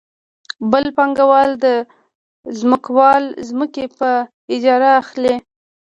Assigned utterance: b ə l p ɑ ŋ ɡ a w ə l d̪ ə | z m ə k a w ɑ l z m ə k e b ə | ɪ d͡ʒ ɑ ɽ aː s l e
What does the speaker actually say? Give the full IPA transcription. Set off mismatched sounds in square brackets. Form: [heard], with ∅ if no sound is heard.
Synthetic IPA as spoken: b ə l p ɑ ŋ ɡ a w [ɑ] l d̪ ə | z m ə k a w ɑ l z m ə k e [p] ə | ɪ d͡ʒ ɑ [ɾ] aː [x] l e